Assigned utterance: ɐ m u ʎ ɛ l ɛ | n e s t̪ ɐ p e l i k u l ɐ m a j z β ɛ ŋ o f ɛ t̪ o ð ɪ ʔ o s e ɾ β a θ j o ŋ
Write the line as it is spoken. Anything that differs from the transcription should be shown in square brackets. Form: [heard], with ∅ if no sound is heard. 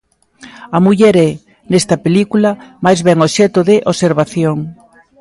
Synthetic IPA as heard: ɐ m u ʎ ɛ [ɾ] ɛ | n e s t̪ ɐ p e l i k u l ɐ m a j z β ɛ ŋ o [ʃ] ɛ t̪ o ð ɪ ʔ o s e ɾ β a θ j o ŋ